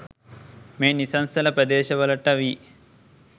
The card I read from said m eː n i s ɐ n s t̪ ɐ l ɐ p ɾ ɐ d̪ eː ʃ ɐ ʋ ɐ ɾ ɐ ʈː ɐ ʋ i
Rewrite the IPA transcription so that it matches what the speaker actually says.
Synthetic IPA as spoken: m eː n i s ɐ n s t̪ ɐ l ɐ p ɾ ɐ d̪ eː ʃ ɐ ʋ ɐ l ɐ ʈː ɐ ʋ i